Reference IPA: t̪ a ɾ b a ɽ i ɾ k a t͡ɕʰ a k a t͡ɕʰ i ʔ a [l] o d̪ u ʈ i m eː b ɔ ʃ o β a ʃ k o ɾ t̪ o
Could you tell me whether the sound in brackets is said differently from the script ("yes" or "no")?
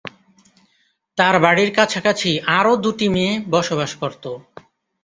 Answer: yes